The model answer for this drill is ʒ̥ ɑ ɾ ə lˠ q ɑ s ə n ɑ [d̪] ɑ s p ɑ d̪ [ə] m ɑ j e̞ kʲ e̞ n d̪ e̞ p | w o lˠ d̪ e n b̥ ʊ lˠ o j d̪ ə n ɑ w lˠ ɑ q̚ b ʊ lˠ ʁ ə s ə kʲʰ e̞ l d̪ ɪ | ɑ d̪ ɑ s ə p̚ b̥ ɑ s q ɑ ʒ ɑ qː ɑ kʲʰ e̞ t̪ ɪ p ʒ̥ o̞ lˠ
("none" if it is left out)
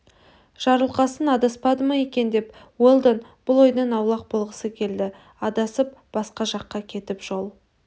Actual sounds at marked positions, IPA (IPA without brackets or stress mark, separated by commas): d̪, ə